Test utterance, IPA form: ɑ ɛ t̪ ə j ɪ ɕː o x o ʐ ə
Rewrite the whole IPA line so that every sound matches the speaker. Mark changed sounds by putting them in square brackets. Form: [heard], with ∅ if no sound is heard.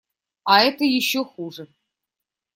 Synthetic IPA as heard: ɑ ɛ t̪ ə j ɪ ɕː o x [u] ʐ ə